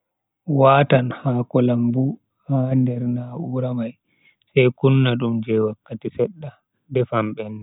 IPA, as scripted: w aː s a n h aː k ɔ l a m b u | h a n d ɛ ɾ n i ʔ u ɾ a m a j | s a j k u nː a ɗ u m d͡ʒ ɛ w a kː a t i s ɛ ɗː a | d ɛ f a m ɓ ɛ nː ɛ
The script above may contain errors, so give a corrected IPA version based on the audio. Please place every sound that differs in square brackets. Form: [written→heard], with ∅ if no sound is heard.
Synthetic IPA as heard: w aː [s→t] a n h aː k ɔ l a m b u | h a n d ɛ ɾ n [i→a] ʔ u ɾ a m a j | s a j k u nː a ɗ u m d͡ʒ ɛ w a kː a t i s ɛ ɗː a | d ɛ f a m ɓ ɛ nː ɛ

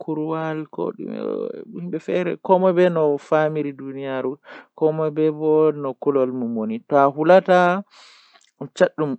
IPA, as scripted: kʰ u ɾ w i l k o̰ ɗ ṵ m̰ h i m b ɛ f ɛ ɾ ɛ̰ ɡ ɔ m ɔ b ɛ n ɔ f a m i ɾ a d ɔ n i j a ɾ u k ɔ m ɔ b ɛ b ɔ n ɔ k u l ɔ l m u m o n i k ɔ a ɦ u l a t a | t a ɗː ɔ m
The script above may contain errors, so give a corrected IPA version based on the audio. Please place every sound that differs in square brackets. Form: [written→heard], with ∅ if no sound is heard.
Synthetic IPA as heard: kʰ u ɾ w [i→a] l k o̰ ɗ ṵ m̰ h i m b ɛ f ɛ ɾ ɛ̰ [ɡ→k] ɔ m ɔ b ɛ n ɔ f a m i ɾ [a→i] d [ɔ→u] n i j a ɾ u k ɔ m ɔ b ɛ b ɔ n ɔ k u l ɔ l m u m o n i [k→t] ɔ a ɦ u l a t a | [t→t͡ʃ] a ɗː [ɔ→u] m

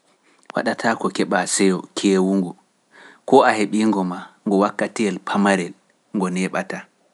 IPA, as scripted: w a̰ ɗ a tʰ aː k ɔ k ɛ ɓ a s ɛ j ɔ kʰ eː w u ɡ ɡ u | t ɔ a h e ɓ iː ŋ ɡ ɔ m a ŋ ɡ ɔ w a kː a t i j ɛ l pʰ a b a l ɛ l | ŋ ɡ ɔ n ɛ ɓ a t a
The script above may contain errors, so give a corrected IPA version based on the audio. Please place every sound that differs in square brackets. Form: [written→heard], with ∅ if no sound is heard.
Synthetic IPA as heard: w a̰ ɗ a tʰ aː k ɔ k ɛ ɓ a s ɛ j ɔ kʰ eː w u [ɡ→ŋ] ɡ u | [t→k] ɔ a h e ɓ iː ŋ ɡ ɔ m a ŋ ɡ ɔ w a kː a t i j ɛ l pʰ a [b→m] a [l→ɾ] ɛ l | ŋ ɡ ɔ n ɛ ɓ a t a

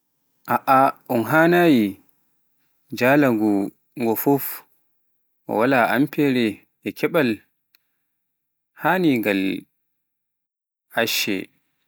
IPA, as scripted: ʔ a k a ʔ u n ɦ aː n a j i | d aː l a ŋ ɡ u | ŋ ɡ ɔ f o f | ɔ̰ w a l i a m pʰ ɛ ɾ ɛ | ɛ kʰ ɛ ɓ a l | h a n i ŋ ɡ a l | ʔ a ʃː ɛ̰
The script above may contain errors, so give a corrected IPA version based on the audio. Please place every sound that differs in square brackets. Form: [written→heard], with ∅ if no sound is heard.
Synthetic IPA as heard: ʔ a [k→ʔ] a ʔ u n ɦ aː n a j i | [d→d͡ʒ] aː l a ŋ ɡ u | ŋ ɡ ɔ f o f | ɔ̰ w a l [i→a] a m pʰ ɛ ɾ ɛ | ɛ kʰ ɛ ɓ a l | h a n i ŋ ɡ a l | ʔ a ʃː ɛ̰

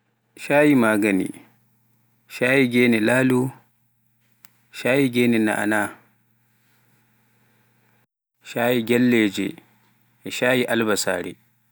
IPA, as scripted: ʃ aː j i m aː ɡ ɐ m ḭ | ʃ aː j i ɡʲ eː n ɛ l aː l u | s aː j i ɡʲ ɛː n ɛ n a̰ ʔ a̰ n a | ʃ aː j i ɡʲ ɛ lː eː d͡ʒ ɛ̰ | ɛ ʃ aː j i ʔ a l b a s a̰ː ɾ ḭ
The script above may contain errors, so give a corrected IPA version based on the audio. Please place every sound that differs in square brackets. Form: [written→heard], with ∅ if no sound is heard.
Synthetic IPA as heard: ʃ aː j i m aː ɡ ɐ [m→n] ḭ | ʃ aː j i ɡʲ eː n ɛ l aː l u | [s→ʃ] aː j i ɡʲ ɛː n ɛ n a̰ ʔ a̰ n a | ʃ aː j i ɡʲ ɛ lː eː d͡ʒ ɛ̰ | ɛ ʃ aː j i ʔ a l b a s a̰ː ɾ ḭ

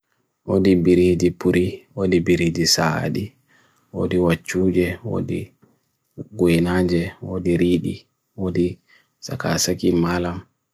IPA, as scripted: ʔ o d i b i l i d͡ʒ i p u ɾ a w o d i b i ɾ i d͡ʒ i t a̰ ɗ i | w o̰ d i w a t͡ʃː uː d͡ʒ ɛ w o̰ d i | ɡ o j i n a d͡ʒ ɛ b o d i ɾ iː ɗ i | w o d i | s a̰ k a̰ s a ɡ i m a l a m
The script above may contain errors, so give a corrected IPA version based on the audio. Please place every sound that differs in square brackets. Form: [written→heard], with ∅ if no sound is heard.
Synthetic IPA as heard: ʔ o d i b i [l→ɾ] i d͡ʒ i p u ɾ [a→i] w o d i b i ɾ i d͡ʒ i [t→s] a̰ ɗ i | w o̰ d i w a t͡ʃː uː d͡ʒ ɛ w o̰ d i | ɡ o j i n a d͡ʒ ɛ [b→w] o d i ɾ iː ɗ i | w o d i | s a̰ k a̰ s a [ɡ→k] i m a l a m

